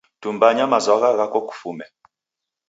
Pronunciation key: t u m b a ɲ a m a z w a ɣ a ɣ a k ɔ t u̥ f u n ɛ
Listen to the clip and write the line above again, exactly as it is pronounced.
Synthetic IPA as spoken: t u m b a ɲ a m a z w a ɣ a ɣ a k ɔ k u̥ f u m ɛ